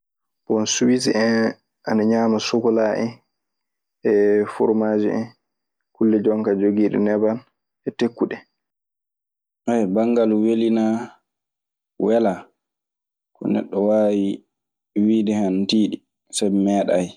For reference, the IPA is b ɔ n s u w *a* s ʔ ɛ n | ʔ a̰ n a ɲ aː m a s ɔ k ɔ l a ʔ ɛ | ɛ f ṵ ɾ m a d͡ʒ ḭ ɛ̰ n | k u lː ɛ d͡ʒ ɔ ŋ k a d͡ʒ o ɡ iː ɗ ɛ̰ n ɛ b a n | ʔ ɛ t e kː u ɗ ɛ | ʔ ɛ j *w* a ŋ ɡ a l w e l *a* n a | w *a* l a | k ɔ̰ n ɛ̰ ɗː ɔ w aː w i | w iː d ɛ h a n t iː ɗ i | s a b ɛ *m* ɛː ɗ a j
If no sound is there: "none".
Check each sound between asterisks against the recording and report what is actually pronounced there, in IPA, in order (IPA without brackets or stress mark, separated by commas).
i, b, i, ɛ, m